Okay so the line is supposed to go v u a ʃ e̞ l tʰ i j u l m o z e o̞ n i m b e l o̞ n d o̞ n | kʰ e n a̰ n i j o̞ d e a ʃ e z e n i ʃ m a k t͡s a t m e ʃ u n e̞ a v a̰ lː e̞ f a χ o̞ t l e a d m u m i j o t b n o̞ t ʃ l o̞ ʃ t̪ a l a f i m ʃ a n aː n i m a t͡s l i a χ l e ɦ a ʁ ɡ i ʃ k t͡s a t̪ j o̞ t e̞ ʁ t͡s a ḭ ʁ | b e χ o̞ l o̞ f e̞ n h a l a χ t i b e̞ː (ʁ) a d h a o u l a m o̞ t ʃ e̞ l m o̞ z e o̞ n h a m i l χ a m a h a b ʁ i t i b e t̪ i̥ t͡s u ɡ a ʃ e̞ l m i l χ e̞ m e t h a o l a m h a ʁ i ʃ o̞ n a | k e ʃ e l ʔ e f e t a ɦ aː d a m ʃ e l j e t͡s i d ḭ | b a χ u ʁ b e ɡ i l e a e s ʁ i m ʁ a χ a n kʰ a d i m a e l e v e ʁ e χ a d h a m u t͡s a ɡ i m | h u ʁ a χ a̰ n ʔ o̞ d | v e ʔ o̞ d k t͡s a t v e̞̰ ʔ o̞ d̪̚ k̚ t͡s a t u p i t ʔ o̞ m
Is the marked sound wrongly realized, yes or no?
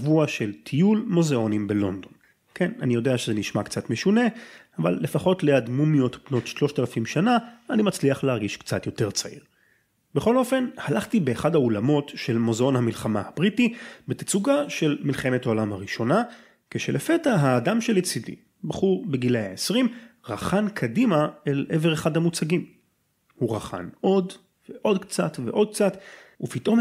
yes